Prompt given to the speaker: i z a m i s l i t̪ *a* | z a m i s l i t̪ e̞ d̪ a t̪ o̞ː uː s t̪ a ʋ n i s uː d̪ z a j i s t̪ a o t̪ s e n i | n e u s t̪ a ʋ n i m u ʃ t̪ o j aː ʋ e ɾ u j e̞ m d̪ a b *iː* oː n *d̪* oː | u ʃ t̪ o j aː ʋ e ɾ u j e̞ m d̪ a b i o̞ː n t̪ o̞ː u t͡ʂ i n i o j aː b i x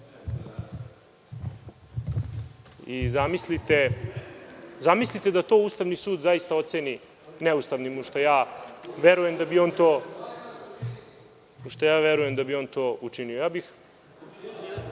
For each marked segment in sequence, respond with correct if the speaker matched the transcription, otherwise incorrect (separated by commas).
incorrect, incorrect, incorrect